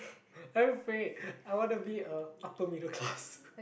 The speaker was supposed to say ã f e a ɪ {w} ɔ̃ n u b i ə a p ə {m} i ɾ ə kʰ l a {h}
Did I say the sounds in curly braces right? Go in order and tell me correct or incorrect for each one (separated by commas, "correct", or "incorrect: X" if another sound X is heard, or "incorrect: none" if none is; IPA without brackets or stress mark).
correct, correct, incorrect: s